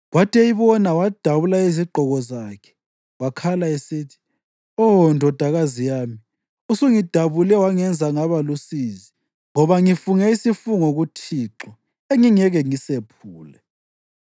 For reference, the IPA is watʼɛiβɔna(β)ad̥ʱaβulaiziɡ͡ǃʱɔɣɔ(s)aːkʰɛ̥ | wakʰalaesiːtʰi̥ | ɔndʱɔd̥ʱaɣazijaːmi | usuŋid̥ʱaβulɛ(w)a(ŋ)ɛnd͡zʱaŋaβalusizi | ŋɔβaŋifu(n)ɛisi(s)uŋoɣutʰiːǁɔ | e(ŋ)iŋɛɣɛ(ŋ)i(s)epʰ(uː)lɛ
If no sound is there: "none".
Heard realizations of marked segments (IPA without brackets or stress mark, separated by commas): w, z, w, ŋ, ŋ, f, ŋ, ŋ, s, uː